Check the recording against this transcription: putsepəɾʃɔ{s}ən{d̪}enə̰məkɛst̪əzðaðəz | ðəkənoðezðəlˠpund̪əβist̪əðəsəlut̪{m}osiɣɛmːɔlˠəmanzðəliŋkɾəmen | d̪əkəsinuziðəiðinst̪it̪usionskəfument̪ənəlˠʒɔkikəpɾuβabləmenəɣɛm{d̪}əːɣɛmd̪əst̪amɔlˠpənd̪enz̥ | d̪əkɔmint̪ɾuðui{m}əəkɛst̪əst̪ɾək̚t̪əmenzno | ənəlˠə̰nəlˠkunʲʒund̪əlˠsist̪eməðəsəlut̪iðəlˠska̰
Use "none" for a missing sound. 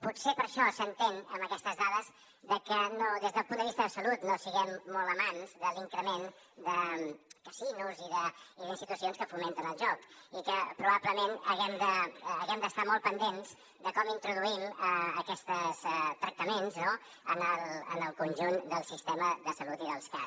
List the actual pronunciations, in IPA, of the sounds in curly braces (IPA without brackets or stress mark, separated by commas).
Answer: s, t̪, n, d̪, m